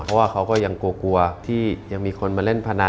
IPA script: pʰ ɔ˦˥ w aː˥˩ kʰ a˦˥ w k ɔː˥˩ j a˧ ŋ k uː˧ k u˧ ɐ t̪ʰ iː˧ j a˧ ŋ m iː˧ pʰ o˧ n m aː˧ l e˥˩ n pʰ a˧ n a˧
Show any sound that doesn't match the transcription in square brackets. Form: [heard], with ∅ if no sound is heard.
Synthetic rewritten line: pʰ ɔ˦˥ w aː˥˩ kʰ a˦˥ w k ɔː˥˩ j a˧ ŋ k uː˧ k u˧ ɐ t̪ʰ [iː˥˩] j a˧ ŋ m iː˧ [kʰ] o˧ n m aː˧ l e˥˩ n pʰ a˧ n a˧

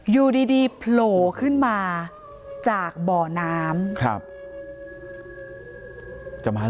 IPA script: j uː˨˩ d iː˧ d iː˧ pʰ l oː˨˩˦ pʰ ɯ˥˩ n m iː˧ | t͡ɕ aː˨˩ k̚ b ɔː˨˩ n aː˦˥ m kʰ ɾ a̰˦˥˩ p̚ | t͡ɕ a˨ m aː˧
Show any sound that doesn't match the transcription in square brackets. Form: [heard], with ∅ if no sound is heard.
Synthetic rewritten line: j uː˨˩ d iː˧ d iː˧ pʰ l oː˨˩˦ [kʰ] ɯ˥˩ n m [aː˧] | t͡ɕ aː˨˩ k̚ b ɔː˨˩ n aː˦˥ m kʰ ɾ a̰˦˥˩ p̚ | t͡ɕ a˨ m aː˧

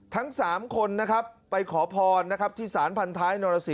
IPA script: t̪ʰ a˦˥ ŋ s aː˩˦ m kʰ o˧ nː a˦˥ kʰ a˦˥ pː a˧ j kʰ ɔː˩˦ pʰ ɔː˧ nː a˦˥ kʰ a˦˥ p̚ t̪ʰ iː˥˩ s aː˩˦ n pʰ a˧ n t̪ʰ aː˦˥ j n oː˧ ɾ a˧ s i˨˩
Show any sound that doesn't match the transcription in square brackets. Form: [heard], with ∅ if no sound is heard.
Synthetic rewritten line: t̪ʰ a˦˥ ŋ s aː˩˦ m kʰ o˧ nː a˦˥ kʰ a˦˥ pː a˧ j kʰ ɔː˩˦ pʰ ɔː˧ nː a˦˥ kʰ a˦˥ p̚ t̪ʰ iː˥˩ s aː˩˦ n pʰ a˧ n t̪ʰ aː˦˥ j n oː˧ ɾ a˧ s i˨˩

